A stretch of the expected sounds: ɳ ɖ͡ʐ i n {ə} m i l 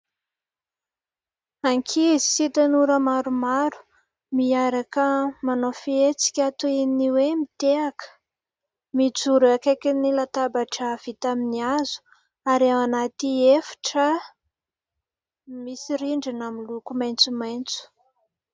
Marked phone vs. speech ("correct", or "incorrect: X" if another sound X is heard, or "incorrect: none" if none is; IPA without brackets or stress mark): incorrect: a